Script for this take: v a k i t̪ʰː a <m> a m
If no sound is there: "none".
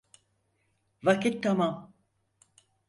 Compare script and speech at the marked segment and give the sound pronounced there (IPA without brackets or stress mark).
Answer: m